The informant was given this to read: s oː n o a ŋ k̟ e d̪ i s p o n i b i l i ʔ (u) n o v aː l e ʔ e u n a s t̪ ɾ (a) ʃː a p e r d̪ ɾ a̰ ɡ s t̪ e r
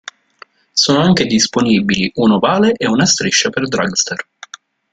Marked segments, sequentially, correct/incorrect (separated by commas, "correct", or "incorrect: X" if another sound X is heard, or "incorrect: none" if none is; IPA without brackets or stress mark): correct, incorrect: i